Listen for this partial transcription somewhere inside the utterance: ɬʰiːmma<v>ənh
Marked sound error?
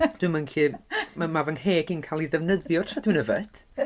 no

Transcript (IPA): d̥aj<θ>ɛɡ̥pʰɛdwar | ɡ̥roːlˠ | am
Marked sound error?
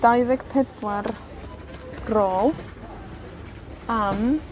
yes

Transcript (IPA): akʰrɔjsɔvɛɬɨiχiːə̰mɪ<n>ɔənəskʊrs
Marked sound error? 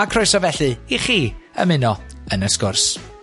no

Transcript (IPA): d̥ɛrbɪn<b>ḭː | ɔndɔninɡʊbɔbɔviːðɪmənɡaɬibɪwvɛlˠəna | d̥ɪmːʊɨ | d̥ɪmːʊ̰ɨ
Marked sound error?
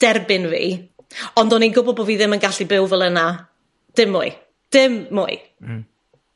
yes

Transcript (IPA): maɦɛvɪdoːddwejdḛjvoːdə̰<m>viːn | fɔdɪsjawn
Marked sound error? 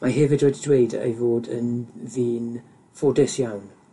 yes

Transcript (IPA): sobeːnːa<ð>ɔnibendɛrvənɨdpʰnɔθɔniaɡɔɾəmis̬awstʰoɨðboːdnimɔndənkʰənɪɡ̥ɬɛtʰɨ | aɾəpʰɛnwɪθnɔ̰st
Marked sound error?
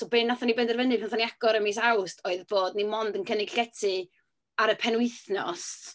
yes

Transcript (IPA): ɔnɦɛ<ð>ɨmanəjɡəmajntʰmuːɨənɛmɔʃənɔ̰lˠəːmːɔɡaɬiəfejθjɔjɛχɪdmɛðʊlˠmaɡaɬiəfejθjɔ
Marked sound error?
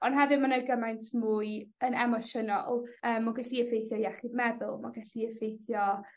yes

